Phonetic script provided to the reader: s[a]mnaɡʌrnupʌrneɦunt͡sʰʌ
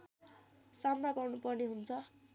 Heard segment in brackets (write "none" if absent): a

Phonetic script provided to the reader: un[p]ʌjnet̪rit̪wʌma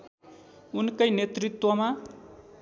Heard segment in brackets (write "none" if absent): k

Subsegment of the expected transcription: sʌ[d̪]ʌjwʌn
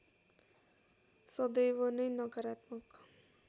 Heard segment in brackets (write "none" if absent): d̪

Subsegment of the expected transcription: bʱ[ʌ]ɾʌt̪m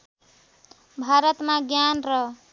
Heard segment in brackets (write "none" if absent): a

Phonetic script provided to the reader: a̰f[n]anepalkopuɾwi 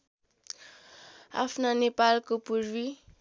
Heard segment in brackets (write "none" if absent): n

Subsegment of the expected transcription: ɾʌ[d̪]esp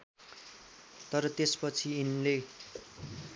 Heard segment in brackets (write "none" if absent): t̪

